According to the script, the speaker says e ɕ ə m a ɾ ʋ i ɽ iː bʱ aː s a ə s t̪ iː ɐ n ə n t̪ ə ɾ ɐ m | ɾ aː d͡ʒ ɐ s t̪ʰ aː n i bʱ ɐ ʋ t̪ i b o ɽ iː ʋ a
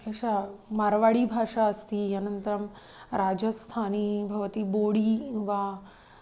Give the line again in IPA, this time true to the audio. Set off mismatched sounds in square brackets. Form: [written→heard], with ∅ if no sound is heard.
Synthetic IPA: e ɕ [ə→a] m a ɾ ʋ [i→a] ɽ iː bʱ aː [s→ʂ] a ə s t̪ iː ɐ n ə n t̪ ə ɾ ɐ m | ɾ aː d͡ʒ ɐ s t̪ʰ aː n i bʱ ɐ ʋ t̪ i b o ɽ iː ʋ a

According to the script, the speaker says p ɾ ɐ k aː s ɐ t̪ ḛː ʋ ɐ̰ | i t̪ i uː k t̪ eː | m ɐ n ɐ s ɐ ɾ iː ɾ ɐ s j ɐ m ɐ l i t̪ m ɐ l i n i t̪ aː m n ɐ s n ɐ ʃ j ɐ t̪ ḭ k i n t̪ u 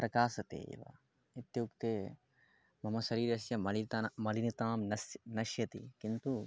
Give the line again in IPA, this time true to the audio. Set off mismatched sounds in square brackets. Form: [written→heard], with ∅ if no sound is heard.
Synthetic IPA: p ɾ ɐ k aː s ɐ t̪ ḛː ʋ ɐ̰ | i t̪ [i→j] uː k t̪ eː | m ɐ [n→m] ɐ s ɐ ɾ iː ɾ ɐ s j ɐ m ɐ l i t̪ m ɐ l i n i t̪ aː m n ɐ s n ɐ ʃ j ɐ t̪ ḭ k i n t̪ u

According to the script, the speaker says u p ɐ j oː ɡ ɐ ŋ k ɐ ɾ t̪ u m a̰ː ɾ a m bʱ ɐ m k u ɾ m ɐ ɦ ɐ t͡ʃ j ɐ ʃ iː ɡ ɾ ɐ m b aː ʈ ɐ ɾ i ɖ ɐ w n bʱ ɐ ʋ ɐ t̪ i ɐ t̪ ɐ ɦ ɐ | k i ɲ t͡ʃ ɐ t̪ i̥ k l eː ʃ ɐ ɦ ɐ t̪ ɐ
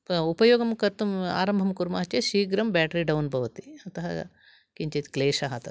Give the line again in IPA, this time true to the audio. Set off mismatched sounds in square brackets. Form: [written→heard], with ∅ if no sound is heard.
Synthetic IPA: u p ɐ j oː ɡ ɐ [ŋ→m] k ɐ ɾ t̪ u m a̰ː ɾ [a→ɐ] m bʱ ɐ m k u ɾ m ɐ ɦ ɐ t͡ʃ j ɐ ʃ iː ɡ ɾ ɐ m b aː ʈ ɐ ɾ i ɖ ɐ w n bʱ ɐ ʋ ɐ t̪ i ɐ t̪ ɐ ɦ ɐ | k i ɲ t͡ʃ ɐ t̪ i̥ k l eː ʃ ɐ ɦ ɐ t̪ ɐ

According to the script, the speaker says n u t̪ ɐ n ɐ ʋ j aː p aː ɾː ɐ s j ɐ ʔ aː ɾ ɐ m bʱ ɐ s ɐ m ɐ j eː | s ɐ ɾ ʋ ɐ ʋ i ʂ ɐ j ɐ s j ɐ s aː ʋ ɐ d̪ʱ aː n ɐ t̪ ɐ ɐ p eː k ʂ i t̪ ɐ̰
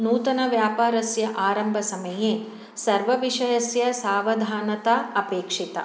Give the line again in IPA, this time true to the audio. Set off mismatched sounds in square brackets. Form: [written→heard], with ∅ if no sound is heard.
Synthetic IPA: n [u→uː] t̪ ɐ n ɐ ʋ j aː p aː [ɾː→ɾ] ɐ s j ɐ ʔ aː ɾ ɐ m bʱ ɐ s ɐ m ɐ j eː | s ɐ ɾ ʋ ɐ ʋ i ʂ ɐ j ɐ s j ɐ s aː ʋ ɐ d̪ʱ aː n ɐ t̪ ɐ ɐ p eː k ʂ i t̪ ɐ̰

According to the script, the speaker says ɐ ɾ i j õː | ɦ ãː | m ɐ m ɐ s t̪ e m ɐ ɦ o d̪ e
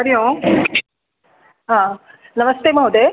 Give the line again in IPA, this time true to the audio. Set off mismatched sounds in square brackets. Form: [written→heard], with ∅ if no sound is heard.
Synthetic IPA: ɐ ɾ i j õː | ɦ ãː | [m→n] ɐ m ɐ s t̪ e m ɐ ɦ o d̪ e

